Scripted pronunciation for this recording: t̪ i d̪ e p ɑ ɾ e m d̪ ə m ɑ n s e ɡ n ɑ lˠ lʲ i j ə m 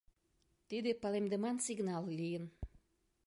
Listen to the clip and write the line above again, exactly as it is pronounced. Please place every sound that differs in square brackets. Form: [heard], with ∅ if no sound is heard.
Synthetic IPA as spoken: t̪ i d̪ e p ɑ [l] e m d̪ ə m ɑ n s [i] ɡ n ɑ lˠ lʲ i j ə [n]